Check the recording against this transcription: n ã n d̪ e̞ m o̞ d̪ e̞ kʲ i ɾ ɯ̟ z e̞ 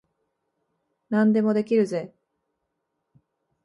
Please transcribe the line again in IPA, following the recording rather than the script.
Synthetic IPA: n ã n d̪ e̞ m o̞ d̪ e̞ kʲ i ɾ ɯ̟ z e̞